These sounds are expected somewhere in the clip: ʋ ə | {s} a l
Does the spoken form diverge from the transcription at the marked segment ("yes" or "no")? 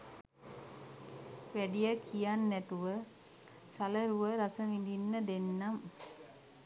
no